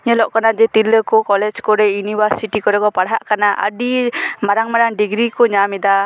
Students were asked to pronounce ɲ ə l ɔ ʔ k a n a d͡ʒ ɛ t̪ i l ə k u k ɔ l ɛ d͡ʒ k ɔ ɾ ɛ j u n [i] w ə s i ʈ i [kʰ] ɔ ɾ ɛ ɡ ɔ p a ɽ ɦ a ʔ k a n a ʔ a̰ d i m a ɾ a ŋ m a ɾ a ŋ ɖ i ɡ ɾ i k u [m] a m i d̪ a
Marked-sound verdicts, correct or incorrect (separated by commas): correct, incorrect, incorrect